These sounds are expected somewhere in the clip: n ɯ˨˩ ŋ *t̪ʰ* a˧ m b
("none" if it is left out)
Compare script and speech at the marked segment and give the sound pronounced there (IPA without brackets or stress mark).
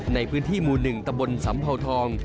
t̪